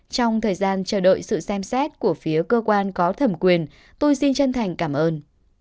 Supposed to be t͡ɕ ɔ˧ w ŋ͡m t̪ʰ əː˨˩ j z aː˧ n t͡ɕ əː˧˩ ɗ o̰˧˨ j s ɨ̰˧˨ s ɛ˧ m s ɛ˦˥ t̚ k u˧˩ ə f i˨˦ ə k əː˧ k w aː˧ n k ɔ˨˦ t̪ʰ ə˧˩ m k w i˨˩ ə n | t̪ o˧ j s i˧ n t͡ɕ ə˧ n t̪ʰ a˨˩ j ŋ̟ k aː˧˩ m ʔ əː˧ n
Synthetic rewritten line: t͡ɕ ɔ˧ w ŋ͡m t̪ʰ əː˨˩ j z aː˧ n t͡ɕ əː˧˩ ɗ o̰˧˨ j s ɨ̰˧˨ s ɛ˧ m s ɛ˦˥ t̚ k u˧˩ ə f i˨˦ ə k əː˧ k w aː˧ n k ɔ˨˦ t̪ʰ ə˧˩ m k w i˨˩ ə n | t̪ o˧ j s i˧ n t͡ɕ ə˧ n t̪ʰ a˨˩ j ŋ̟ k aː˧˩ m ʔ əː˧ n